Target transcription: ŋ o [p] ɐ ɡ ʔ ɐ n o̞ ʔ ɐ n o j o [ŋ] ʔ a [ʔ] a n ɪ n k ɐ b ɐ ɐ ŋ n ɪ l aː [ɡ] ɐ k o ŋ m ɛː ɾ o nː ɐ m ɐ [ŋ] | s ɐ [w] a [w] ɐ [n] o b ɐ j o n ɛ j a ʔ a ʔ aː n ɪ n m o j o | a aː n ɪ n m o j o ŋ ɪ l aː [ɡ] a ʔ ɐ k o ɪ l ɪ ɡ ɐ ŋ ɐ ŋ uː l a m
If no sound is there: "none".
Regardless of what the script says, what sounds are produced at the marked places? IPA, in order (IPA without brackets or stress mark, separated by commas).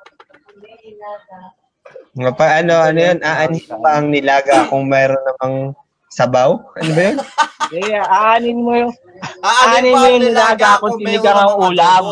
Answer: p, n, ʔ, ɡ, ŋ, b, w, n, ɡ